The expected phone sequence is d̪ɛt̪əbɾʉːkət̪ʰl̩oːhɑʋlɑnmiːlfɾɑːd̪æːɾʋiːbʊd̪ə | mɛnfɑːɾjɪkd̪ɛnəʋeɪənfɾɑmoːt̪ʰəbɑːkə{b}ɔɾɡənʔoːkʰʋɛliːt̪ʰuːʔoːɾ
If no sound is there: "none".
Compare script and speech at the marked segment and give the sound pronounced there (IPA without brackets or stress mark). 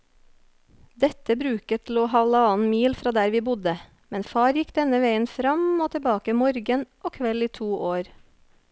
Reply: m